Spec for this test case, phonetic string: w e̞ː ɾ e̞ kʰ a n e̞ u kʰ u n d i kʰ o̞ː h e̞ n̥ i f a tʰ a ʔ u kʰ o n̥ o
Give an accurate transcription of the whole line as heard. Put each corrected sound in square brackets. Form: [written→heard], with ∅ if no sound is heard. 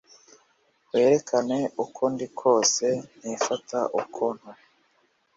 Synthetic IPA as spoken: w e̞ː ɾ e̞ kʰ a n e̞ u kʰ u n d i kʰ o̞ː [h→s] e̞ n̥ i f a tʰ a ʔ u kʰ o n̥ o